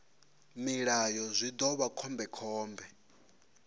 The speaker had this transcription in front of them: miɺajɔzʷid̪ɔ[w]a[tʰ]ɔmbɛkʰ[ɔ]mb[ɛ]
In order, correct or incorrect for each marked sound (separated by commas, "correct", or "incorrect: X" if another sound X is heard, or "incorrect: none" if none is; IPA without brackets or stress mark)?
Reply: incorrect: β, incorrect: kʰ, incorrect: ɔː, correct